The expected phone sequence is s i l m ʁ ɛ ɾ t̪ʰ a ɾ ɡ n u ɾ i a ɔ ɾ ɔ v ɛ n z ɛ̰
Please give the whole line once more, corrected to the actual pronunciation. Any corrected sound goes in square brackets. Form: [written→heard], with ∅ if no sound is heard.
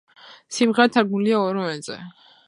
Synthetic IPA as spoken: s i [l→∅] m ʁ ɛ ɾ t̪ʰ a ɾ ɡ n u [ɾ→l] i a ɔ ɾ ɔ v ɛ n z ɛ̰